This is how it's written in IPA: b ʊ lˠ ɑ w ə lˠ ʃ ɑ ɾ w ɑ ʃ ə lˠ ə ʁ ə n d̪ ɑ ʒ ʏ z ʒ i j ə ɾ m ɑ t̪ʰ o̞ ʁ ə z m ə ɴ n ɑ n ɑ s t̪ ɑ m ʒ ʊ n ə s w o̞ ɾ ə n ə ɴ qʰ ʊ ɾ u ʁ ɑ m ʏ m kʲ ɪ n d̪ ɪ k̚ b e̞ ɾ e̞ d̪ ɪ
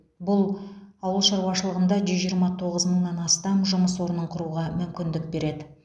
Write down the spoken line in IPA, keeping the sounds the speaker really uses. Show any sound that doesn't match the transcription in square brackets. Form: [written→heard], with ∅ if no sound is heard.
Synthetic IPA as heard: b ʊ lˠ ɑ w ə lˠ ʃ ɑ ɾ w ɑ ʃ ə lˠ ə ʁ ə n d̪ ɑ ʒ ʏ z ʒ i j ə ɾ m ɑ t̪ʰ o̞ ʁ ə z m ə ɴ n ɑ n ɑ s t̪ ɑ m ʒ ʊ [n→m] ə s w o̞ ɾ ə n ə ɴ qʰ ʊ ɾ u ʁ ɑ m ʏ m kʲ ɪ n d̪ ɪ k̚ b e̞ ɾ e̞ d̪ ɪ